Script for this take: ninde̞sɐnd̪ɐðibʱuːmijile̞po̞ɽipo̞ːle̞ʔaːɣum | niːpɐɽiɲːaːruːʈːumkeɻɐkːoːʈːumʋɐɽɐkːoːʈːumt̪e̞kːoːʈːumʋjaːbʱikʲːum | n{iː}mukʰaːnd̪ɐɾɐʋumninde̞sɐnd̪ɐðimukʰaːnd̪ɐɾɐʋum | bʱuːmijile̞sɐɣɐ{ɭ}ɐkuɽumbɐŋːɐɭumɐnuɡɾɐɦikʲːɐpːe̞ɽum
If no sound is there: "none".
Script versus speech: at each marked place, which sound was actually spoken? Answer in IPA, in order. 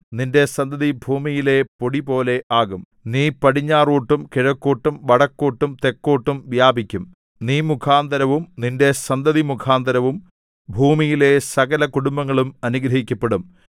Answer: iː, l

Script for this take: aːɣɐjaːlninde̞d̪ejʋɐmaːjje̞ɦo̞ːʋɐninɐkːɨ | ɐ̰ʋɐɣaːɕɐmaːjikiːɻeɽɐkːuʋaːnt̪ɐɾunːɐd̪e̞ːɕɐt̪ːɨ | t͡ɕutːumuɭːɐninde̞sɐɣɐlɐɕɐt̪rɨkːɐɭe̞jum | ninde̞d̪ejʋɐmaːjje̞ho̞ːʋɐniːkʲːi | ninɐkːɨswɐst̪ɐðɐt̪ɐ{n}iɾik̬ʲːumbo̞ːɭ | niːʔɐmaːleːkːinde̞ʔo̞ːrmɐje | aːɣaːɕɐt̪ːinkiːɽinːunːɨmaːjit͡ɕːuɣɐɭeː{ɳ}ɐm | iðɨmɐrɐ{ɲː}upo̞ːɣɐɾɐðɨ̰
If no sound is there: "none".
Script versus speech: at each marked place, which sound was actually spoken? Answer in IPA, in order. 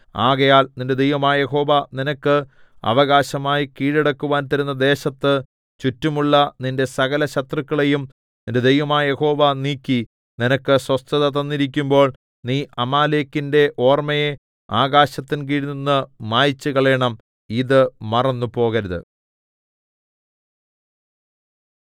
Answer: nː, ɳ, nː

